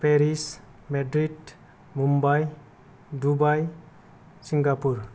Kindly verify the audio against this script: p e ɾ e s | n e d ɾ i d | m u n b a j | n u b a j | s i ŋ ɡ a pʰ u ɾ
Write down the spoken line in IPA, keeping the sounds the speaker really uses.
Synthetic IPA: p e ɾ i s | m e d ɾ i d | m u m b a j | d u b a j | s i ŋ ɡ a p u ɾ